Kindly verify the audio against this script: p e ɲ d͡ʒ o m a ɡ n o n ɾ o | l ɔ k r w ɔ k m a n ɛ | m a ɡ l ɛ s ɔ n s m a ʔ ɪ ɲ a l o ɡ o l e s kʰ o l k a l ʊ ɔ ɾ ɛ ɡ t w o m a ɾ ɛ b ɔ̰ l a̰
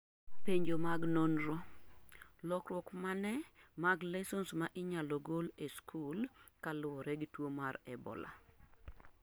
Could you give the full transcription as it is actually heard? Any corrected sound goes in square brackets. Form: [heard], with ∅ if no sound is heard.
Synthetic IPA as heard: p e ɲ d͡ʒ o m a ɡ n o n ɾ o | l ɔ k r w ɔ k m a n ɛ | m a ɡ l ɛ s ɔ n s m a ʔ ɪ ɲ a l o ɡ o l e s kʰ [u] l k a l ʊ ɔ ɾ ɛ ɡ t w o m a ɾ ɛ b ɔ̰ l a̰

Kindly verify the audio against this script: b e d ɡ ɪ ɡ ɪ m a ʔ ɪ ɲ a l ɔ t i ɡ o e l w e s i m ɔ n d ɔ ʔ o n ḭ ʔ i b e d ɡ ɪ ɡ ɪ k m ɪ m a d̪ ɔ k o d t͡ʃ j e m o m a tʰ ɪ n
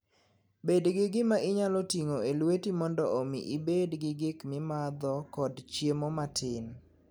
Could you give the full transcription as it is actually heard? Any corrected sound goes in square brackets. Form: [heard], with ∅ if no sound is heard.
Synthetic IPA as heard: b e d ɡ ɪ ɡ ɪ m a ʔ ɪ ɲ a l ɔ t i [ŋ] o e l w e [t] i m ɔ n d ɔ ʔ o [m] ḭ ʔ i b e d ɡ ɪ ɡ ɪ k m ɪ m a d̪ ɔ k [ɔ] d t͡ʃ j e m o m a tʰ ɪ n

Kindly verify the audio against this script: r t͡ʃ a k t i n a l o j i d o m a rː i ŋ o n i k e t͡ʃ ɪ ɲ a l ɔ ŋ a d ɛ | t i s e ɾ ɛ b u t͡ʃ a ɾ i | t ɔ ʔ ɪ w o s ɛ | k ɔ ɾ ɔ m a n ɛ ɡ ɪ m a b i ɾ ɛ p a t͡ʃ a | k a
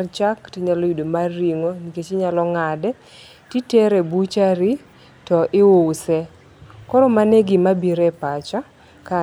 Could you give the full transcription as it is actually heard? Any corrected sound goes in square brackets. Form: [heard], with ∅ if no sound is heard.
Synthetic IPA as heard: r t͡ʃ a k t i [ɲ] a l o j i d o m a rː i ŋ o n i k e t͡ʃ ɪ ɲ a l ɔ ŋ a d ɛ | t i [t] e ɾ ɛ b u t͡ʃ a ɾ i | t ɔ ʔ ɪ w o s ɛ | k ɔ ɾ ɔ m a n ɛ ɡ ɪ m a b i ɾ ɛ p a t͡ʃ a | k a

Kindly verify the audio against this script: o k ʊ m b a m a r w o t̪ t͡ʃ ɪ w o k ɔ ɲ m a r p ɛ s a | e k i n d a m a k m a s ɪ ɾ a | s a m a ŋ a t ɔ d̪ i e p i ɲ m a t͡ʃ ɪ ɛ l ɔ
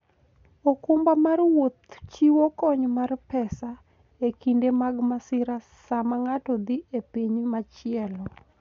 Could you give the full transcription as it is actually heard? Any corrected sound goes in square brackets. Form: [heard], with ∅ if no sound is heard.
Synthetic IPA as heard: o k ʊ m b a m a r w o t̪ t͡ʃ [i] w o k ɔ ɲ m a r p ɛ s a | e k i n d [e] m a [ɡ] m a s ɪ ɾ a | s a m a ŋ a t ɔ d̪ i e p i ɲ m a t͡ʃ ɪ ɛ l ɔ

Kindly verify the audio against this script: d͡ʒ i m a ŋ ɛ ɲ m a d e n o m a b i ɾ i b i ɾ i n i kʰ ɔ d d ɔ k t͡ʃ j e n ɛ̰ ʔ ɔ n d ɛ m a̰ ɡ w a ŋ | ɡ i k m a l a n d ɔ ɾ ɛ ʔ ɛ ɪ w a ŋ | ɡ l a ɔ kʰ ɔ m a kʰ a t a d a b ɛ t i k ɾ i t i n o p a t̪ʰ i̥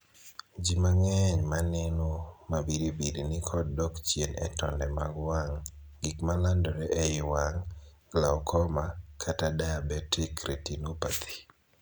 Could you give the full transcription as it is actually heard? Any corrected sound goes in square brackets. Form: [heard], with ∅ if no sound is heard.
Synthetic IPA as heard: d͡ʒ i m a ŋ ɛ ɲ m a [n] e n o m a b i ɾ i b i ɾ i n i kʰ ɔ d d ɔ k t͡ʃ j e n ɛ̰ [t] ɔ n d ɛ m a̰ ɡ w a ŋ | ɡ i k m a l a n d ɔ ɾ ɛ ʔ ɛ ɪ w a ŋ | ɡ l a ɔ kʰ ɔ m a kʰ a t a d a b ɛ t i k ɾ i t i n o p a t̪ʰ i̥

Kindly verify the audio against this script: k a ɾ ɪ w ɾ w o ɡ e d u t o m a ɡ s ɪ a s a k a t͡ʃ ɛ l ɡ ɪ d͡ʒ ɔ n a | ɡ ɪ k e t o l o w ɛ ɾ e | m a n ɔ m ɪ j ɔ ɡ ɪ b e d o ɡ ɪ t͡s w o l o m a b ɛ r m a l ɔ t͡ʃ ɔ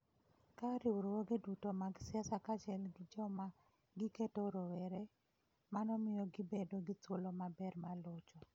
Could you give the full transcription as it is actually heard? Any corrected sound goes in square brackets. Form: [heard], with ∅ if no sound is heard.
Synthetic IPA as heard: k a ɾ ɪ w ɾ w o ɡ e d u t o m a ɡ s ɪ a s a k a t͡ʃ ɛ l ɡ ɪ d͡ʒ ɔ [m] a | ɡ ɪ k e t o [ɾ] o w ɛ ɾ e | m a n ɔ m ɪ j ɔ ɡ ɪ b e d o ɡ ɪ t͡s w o l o m a b ɛ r m a l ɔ t͡ʃ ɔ

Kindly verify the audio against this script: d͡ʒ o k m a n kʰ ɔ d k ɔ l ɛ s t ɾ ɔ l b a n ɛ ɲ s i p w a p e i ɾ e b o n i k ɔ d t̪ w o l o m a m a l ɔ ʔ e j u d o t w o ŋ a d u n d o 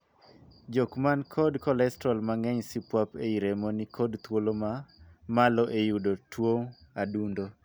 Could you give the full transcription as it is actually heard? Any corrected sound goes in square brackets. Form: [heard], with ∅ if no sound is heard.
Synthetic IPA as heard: d͡ʒ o k m a n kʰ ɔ d k ɔ l ɛ s t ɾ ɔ l [m] a [ŋ] ɛ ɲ s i p w a p e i ɾ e [m] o n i k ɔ d t̪ w o l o m a m a l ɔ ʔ e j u d o t w o ŋ a d u n d o

